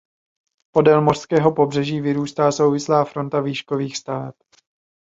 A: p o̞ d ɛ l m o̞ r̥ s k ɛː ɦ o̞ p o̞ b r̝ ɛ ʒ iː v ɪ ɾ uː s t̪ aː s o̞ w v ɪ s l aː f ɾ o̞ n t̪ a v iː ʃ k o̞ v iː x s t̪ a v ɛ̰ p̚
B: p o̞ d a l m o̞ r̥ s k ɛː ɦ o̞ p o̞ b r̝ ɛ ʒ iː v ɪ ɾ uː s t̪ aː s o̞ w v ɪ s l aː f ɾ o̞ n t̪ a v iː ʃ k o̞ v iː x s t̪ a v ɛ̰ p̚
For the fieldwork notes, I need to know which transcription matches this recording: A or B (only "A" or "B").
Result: A